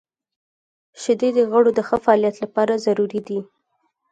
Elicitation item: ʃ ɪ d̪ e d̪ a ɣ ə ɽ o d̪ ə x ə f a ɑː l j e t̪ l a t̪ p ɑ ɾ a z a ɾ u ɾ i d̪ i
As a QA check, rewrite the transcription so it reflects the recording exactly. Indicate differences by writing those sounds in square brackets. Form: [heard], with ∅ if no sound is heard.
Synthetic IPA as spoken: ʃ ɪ d̪ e d̪ [ə] ɣ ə ɽ o d̪ ə x ə f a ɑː l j [a] t̪ l a [∅] p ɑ ɾ a z a ɾ u ɾ i d̪ i